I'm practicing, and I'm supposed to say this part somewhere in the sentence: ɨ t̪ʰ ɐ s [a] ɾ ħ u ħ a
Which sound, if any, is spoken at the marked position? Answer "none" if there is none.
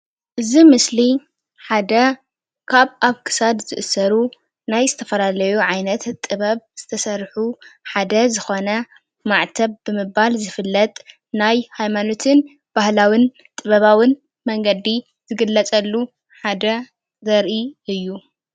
ɐ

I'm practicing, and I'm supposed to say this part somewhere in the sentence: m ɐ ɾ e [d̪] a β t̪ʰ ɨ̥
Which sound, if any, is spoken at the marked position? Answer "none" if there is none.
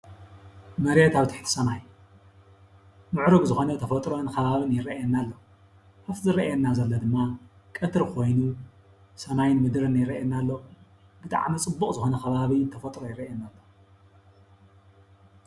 t̪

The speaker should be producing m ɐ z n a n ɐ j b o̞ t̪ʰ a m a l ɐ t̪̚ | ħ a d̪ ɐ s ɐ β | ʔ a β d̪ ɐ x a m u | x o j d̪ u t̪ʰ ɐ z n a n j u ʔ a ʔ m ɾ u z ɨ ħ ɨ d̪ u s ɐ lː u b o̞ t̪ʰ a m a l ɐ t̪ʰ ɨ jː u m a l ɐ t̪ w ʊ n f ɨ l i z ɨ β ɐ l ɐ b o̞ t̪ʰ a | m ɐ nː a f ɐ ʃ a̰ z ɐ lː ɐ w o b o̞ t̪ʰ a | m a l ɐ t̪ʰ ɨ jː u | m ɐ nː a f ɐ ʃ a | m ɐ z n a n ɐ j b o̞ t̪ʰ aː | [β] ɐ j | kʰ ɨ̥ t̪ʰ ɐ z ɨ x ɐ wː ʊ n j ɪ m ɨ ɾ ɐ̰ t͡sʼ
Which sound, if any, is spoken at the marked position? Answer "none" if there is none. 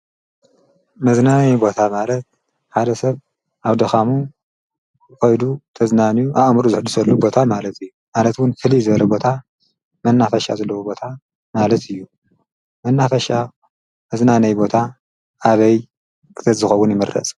β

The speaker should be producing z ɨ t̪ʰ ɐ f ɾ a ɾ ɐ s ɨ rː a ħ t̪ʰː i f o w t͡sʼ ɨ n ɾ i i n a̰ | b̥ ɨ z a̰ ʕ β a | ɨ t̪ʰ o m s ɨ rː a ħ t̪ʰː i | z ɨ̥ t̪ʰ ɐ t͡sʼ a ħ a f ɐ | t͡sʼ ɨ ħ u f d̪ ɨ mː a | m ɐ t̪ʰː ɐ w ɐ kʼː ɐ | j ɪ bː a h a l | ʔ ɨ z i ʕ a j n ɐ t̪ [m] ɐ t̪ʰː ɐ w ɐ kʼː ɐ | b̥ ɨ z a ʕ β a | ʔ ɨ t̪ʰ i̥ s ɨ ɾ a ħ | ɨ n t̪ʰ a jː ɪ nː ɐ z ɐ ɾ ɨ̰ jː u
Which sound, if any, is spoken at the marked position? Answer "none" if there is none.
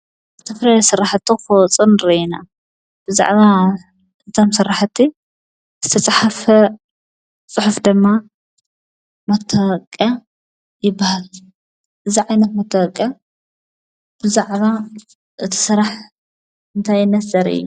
m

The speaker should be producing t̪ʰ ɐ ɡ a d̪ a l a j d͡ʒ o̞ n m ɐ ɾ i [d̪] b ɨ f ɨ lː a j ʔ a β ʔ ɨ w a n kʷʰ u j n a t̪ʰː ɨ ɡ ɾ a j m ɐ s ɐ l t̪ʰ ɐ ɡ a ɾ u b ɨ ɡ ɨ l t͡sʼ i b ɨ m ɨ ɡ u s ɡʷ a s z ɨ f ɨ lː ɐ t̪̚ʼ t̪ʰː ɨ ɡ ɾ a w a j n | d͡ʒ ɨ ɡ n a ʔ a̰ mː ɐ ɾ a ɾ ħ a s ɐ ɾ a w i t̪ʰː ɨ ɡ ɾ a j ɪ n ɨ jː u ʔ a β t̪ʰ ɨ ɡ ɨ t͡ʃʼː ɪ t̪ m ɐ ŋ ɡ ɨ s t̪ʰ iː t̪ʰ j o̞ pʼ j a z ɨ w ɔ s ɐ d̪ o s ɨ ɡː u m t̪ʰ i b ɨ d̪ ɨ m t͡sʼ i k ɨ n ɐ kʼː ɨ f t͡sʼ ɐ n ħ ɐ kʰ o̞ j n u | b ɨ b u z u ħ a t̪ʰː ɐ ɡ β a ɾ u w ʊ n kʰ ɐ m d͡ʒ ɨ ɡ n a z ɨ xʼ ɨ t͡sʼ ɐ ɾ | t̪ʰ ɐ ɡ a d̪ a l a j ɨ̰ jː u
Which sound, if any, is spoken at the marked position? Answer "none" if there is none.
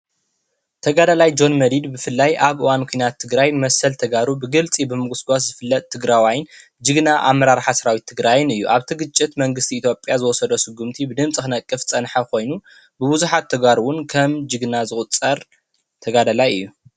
d̪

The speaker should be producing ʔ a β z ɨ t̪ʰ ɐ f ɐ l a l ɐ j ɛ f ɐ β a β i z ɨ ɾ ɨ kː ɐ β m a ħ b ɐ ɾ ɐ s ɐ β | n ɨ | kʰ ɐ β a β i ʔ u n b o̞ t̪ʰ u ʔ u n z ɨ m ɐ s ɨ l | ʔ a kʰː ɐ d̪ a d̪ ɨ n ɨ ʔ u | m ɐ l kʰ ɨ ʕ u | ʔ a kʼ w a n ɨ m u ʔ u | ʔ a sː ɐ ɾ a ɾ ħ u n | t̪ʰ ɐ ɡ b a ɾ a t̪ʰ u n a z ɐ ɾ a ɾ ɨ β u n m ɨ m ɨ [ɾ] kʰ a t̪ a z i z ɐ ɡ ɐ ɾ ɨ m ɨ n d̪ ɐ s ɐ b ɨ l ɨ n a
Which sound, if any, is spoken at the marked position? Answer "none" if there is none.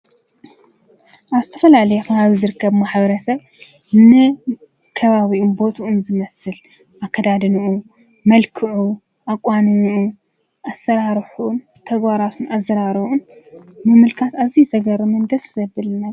l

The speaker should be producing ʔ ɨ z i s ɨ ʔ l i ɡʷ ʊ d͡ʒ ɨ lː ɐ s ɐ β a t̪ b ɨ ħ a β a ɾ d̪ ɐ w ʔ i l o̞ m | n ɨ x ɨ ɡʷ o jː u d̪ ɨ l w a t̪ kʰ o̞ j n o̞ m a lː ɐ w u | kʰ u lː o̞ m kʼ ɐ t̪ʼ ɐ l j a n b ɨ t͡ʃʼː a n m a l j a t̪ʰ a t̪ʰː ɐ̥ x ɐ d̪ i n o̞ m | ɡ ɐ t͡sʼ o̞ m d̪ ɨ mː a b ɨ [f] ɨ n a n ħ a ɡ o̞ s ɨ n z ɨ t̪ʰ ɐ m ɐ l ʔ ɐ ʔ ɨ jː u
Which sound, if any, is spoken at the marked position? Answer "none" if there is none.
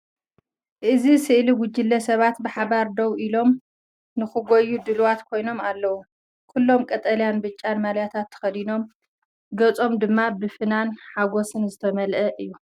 f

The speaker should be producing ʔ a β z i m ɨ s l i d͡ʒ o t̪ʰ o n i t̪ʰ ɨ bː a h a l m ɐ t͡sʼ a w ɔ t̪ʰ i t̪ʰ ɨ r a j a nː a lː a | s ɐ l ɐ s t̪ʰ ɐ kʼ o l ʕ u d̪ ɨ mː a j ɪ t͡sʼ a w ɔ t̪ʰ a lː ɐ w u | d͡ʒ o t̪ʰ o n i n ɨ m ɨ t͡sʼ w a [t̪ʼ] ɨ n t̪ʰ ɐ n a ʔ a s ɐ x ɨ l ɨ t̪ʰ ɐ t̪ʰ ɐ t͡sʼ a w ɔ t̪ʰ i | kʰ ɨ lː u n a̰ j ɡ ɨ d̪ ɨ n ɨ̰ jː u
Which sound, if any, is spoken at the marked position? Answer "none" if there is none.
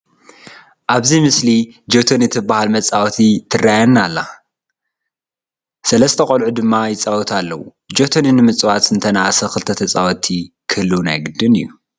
t̪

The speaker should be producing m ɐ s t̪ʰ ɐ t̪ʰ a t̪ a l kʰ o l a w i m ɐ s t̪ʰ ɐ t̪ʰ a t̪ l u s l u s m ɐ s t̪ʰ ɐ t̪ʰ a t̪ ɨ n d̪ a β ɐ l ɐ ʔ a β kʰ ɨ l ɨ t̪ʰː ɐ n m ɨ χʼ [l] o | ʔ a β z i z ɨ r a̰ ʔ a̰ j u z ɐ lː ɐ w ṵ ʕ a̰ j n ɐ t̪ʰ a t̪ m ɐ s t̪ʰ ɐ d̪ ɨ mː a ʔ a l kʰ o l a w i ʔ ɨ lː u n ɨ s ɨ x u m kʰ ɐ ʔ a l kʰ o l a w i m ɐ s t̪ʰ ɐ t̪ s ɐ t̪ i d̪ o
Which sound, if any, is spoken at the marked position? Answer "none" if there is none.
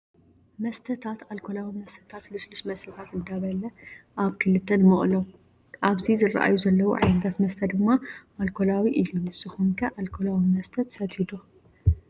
l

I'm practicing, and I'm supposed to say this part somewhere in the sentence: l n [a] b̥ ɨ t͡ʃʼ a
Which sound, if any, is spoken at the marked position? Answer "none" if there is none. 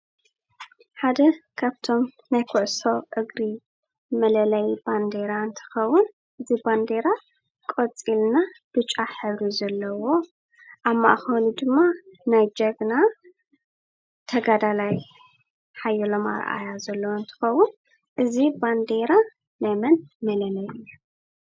a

